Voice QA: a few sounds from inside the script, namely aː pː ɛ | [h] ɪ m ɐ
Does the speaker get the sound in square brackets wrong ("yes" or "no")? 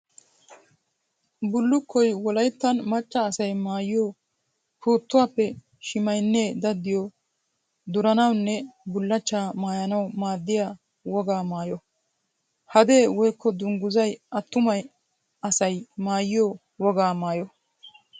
yes